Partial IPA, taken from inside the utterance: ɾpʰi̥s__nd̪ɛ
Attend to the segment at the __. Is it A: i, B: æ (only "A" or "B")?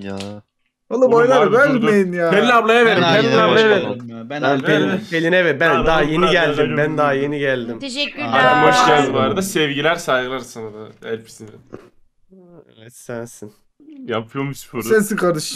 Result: A